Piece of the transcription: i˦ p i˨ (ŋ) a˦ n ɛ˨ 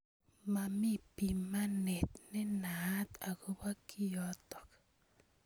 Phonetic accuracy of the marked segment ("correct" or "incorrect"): incorrect